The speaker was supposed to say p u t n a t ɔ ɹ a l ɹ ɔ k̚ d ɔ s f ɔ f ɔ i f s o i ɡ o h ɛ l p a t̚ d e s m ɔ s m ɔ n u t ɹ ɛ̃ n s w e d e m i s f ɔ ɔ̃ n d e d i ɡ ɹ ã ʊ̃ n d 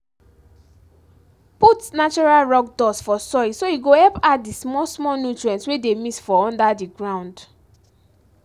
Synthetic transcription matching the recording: p u t n a t͡ʃ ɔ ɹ a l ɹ ɔ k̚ d ɔ s f ɔ s ɔ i s o i ɡ o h ɛ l p a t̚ d i s m ɔ s m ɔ n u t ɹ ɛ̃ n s w e d e m i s f ɔ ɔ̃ n d a d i ɡ ɹ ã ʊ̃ n d